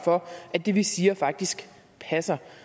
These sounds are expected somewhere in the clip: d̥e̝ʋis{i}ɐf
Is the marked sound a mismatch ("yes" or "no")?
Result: yes